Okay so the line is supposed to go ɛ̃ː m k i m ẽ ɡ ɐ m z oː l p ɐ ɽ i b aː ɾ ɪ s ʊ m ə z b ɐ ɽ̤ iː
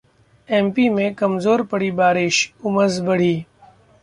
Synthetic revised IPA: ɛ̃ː m p i m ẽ k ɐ m z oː ɾ p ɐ ɽ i b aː ɾ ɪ ʃ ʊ m ə z b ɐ ɽ̤ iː